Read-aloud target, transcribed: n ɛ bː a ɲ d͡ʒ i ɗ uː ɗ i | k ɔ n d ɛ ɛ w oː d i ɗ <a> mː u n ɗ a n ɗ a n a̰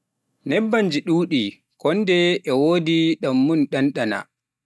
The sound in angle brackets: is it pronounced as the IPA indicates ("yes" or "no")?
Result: yes